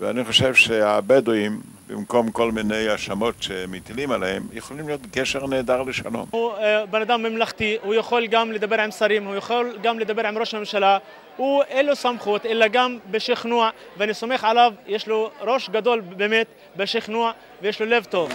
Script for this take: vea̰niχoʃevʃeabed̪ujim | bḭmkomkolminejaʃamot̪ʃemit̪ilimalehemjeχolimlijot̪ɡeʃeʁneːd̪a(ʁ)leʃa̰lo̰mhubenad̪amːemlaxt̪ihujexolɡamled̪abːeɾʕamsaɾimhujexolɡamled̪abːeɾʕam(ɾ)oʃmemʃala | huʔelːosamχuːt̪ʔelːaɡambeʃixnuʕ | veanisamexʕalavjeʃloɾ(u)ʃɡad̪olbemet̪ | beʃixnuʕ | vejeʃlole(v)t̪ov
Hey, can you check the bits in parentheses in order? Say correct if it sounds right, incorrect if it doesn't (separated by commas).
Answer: correct, correct, incorrect, correct